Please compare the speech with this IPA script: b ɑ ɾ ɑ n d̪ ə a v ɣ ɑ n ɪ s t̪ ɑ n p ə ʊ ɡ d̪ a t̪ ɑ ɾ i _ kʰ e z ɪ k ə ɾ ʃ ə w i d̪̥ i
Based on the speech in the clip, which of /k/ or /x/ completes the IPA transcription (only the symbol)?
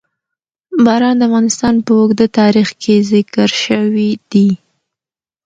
x